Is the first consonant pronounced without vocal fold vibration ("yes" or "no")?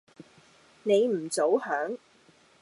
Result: no